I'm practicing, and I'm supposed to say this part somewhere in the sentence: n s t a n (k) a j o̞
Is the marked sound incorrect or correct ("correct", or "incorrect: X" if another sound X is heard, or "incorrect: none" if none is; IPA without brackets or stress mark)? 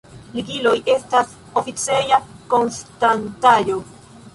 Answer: incorrect: t